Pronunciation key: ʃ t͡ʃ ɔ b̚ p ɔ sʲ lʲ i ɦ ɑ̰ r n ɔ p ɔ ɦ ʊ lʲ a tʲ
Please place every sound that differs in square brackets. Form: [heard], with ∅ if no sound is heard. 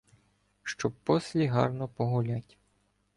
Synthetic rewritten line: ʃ t͡ʃ ɔ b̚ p ɔ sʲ lʲ i ɦ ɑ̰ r n ɔ p ɔ ɦ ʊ lʲ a tʲ